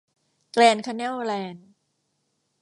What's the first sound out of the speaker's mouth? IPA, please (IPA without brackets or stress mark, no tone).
k